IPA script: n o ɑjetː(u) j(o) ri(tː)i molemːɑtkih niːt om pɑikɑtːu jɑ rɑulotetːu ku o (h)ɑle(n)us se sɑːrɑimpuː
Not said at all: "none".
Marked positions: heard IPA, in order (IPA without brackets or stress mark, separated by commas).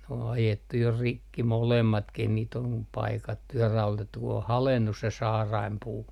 u, o, kː, h, nː